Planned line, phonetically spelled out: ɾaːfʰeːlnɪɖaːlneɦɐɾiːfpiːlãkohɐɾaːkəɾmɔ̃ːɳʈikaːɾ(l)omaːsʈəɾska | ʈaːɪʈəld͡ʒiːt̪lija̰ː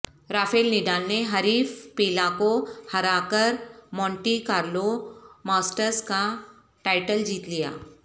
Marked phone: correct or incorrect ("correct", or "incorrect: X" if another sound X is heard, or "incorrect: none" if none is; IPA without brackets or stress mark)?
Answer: correct